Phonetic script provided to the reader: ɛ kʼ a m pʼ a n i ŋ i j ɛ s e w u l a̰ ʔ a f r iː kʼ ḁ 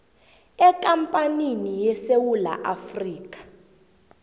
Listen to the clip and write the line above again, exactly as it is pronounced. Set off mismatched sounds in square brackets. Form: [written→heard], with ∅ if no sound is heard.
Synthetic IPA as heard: ɛ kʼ a m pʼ a n i [ŋ→n] i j ɛ s e w u l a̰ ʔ a f r iː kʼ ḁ